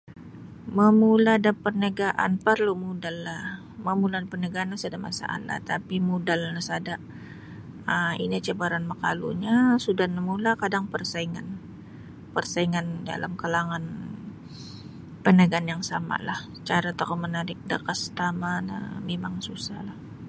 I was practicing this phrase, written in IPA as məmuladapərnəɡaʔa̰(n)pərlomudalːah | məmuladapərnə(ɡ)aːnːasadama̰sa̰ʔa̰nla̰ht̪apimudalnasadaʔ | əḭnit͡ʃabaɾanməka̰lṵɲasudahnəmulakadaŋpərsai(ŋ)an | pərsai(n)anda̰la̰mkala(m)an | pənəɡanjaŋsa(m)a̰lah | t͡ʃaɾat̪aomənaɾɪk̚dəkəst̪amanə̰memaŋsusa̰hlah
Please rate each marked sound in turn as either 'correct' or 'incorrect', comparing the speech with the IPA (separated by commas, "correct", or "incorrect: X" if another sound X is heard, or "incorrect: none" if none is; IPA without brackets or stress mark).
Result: correct, correct, correct, incorrect: ŋ, incorrect: ŋ, correct